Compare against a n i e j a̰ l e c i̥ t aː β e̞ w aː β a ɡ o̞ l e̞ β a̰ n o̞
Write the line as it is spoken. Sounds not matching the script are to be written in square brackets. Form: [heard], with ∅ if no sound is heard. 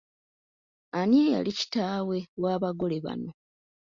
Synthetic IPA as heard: a n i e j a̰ l [i] c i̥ t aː [w] e̞ w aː β a ɡ o̞ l e̞ β a̰ n o̞